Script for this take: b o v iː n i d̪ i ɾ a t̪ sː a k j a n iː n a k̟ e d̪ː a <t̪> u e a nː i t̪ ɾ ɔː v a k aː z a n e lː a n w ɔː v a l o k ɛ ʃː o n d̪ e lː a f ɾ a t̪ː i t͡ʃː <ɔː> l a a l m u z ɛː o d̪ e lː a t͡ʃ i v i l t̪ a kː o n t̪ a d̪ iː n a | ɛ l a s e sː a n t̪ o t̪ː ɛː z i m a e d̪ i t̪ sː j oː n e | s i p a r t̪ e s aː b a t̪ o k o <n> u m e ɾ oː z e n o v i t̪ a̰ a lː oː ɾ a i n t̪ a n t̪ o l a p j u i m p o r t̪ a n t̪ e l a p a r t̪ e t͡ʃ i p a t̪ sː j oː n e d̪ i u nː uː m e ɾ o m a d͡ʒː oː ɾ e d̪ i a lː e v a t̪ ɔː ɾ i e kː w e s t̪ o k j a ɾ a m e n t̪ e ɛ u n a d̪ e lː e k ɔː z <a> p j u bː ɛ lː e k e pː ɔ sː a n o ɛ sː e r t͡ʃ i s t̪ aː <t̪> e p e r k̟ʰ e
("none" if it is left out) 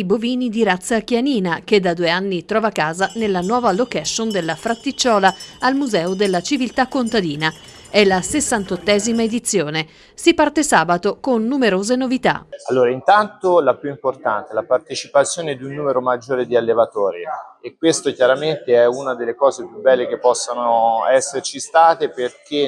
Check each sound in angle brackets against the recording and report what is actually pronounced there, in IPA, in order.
d̪, ɔː, nː, e, t̪

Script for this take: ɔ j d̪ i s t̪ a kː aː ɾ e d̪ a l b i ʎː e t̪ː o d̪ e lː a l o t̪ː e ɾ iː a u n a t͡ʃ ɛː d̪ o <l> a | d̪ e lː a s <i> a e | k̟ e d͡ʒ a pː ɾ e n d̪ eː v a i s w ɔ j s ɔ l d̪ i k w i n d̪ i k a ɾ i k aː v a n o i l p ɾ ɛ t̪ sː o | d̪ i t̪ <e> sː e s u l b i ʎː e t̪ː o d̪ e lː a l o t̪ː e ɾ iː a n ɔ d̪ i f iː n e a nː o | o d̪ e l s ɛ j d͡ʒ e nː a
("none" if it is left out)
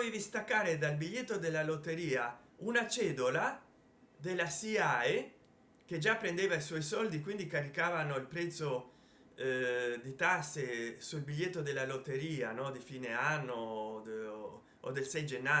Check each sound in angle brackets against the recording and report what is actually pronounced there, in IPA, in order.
l, i, a

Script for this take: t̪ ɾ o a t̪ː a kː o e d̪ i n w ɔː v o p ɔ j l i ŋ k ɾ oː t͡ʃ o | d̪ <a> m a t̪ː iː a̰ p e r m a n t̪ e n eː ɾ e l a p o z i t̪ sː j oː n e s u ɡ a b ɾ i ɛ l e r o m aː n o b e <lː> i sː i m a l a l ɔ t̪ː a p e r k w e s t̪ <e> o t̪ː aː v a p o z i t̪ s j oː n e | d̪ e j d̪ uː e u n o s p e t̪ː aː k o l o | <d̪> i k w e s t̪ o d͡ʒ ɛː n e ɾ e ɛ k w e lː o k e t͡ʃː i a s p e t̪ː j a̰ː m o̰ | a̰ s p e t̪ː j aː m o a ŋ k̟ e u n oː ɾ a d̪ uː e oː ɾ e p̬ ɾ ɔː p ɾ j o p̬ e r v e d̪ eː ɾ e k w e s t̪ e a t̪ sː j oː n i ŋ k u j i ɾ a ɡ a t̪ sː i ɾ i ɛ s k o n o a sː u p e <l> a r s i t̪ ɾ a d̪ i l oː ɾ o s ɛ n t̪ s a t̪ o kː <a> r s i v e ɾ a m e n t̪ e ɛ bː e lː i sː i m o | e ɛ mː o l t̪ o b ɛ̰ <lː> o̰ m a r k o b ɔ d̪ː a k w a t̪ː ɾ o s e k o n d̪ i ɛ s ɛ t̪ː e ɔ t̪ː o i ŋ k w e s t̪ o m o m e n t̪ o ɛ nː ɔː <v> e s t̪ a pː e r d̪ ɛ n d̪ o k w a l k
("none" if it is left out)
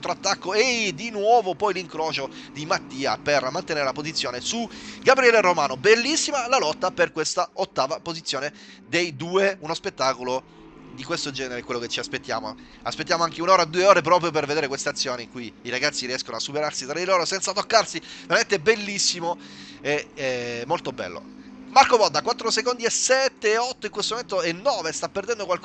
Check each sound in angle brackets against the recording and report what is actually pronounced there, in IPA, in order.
i, lː, a, d̪, ɾ, a, lː, v

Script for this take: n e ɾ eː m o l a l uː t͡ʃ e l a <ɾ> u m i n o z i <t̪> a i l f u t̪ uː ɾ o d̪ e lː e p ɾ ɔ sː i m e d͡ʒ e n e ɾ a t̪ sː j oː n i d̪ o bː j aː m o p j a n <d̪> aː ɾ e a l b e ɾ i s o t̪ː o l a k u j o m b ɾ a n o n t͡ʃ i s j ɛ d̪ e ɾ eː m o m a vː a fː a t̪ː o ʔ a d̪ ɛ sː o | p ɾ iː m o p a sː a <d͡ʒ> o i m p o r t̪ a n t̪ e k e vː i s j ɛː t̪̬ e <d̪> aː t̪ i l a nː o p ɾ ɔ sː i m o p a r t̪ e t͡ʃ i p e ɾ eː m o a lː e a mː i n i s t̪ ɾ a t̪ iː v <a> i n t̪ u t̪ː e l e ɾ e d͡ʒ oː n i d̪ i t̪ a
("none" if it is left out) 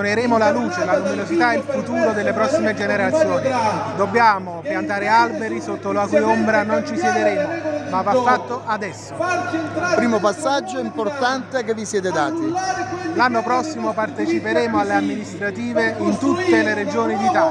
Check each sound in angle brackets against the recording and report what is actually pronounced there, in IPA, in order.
l, t̪, t̪, d͡ʒː, d̪, e

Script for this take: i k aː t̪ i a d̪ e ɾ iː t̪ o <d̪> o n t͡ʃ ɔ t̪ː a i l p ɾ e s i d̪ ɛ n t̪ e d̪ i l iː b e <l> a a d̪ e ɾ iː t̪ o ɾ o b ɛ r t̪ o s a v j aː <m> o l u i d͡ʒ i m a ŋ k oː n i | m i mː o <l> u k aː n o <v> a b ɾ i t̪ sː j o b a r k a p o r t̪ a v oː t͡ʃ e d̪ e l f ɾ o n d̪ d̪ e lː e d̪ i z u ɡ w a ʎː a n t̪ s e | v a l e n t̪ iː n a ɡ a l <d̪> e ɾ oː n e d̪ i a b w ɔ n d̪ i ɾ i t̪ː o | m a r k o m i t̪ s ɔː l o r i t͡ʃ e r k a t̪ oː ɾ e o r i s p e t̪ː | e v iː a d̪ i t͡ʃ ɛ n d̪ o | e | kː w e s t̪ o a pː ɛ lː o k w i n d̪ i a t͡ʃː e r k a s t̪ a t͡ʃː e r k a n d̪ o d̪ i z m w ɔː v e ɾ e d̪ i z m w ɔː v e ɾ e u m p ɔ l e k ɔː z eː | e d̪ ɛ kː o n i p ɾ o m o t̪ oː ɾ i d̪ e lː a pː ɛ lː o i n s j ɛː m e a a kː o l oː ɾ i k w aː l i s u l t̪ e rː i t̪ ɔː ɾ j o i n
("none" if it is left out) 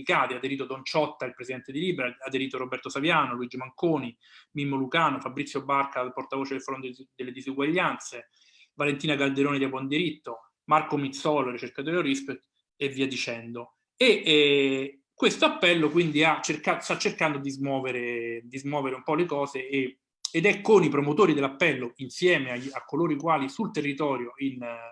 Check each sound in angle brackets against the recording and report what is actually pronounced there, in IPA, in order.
d̪, ɾ, n, l, f, d̪

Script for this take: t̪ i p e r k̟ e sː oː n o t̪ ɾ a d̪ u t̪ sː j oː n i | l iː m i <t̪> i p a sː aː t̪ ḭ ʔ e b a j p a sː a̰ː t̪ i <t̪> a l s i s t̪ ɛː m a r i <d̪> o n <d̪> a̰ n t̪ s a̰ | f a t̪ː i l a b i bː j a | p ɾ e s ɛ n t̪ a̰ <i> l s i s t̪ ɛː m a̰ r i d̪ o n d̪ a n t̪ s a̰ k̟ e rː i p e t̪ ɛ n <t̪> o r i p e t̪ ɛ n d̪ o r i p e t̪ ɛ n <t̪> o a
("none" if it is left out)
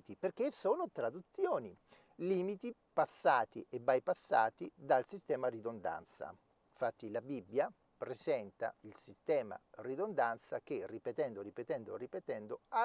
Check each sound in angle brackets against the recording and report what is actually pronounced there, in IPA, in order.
t̪, d̪, d̪, d̪, i, d̪, d̪

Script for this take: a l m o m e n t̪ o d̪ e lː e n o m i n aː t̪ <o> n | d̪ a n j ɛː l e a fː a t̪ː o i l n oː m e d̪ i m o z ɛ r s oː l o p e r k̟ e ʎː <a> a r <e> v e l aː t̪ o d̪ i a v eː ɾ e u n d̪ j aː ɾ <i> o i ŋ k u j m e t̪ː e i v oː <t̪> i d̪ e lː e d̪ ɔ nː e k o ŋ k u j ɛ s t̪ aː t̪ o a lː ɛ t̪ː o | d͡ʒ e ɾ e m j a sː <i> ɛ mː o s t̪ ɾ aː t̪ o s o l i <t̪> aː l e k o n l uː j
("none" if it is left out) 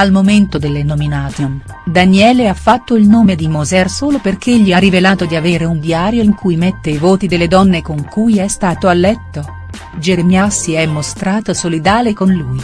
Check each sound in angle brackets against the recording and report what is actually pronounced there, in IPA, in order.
o, i, i, j, t̪, i, d̪

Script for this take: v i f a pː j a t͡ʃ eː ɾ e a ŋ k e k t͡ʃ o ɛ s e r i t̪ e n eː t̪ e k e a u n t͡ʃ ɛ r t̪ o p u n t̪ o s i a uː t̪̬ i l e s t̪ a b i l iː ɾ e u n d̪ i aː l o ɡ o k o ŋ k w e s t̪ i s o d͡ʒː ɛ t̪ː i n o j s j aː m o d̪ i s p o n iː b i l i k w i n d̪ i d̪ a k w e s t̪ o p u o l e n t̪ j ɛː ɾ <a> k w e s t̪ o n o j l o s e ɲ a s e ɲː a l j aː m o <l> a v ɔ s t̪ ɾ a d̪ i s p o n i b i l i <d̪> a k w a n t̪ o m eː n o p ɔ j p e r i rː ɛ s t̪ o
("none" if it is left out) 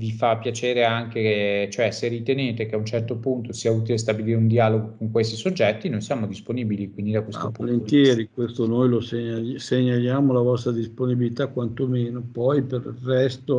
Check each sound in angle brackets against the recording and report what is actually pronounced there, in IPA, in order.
i, l, t̪

